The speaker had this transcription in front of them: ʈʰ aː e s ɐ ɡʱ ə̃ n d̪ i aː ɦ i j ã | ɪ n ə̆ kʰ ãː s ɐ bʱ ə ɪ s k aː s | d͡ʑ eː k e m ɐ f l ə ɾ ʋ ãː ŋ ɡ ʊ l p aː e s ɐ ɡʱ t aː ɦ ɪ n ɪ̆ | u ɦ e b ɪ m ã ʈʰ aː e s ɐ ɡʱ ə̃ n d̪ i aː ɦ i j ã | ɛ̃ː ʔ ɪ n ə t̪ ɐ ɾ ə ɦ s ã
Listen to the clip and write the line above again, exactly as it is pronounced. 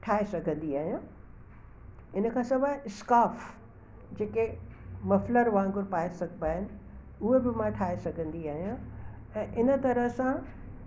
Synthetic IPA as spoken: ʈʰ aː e s ɐ ɡʱ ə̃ n d̪ i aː ɦ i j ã | ɪ n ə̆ kʰ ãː s ɐ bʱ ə ɪ s k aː f | d͡ʑ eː k e m ɐ f l ə ɾ ʋ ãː ŋ ɡ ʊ ɾ p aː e s ɐ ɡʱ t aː ɦ ɪ n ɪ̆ | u ɦ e b ɪ m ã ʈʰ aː e s ɐ ɡʱ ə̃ n d̪ i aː ɦ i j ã | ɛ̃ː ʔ ɪ n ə t̪ ɐ ɾ ə ɦ s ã